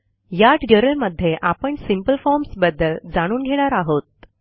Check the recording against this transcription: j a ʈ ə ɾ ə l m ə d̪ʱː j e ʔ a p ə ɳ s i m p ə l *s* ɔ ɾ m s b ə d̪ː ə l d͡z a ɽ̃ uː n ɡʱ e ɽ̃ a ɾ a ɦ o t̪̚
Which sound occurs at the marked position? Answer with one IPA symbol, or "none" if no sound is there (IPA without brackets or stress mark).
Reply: f